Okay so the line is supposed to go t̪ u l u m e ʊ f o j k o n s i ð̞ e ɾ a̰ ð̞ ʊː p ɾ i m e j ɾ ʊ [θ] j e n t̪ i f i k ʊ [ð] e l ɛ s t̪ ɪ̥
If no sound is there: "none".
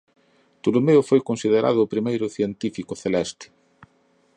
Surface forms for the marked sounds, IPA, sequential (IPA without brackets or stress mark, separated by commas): θ, θ